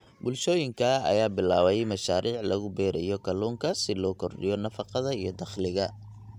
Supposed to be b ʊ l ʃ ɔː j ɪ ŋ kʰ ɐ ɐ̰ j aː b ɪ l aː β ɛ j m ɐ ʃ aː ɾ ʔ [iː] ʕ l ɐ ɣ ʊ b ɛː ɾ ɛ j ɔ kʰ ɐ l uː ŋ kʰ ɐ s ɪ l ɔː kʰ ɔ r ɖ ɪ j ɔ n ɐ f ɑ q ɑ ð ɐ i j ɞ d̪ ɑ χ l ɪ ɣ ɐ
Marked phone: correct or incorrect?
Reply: correct